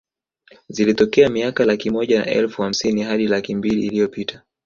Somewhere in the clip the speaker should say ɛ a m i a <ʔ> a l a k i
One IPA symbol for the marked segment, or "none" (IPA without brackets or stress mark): k